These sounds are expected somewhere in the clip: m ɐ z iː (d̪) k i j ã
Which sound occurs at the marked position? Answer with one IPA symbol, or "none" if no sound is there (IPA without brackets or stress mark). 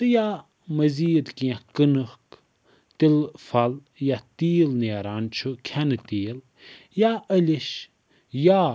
d̪